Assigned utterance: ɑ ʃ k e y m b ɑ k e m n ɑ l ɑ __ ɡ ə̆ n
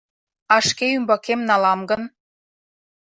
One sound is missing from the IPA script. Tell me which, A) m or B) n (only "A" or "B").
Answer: A